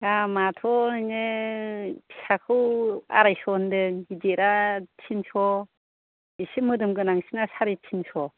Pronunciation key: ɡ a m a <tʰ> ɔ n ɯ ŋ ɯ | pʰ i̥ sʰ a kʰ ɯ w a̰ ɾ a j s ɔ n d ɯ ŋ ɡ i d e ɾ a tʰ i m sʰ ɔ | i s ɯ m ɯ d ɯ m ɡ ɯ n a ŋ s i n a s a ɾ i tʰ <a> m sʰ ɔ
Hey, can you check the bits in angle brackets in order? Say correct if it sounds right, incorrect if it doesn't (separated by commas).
correct, incorrect